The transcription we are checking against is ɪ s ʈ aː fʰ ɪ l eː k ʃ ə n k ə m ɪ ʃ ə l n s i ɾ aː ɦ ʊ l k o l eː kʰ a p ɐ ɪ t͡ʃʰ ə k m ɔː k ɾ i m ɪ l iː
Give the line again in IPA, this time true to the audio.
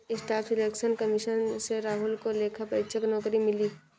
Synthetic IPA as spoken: ɪ s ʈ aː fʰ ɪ l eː k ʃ ə n k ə m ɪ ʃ ə n s e ɾ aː ɦ ʊ l k o l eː kʰ a p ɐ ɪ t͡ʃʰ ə k n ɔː k ɾ i m ɪ l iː

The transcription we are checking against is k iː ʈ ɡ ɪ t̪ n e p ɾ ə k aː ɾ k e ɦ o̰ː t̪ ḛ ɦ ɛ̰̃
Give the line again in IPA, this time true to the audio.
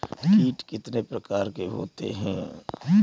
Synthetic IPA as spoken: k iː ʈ k ɪ t̪ n e p ɾ ə k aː ɾ k e ɦ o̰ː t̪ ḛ ɦ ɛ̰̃

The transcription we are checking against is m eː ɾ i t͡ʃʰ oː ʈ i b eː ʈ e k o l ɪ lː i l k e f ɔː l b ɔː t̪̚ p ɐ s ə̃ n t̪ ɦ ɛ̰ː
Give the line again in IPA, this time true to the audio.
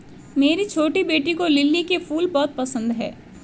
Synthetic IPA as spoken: m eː ɾ i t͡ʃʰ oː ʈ i b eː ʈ i k o l ɪ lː i k e f uː l b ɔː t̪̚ p ɐ s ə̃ n d̪ ɦ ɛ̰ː

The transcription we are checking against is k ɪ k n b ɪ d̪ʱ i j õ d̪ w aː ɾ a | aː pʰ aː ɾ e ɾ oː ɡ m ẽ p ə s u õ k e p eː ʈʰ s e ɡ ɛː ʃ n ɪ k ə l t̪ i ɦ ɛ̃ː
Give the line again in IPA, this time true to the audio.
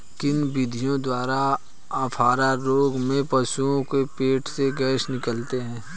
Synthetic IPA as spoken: k ɪ n b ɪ d̪ʱ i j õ d̪ w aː ɾ a | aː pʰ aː ɾ a ɾ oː ɡ m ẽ p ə s u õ k e p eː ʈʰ s e ɡ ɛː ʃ n ɪ k ə l t̪ e ɦ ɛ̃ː

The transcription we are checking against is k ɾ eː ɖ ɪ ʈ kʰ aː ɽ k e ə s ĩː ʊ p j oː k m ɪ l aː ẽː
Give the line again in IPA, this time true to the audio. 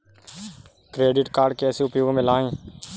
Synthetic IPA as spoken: k ɾ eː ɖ ɪ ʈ k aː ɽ k e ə s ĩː ʊ p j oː ɡ m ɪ l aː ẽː

